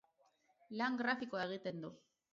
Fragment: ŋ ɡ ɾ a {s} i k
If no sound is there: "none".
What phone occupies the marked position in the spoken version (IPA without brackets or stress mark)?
f